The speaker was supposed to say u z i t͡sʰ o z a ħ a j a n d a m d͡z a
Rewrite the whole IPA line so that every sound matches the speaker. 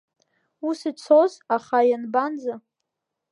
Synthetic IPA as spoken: u s i t͡sʰ o z a χ a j a n b a n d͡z a